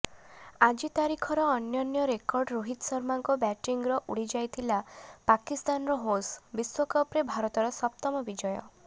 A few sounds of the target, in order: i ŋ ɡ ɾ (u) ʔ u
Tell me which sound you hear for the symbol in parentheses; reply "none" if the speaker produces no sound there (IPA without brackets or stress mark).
ɔ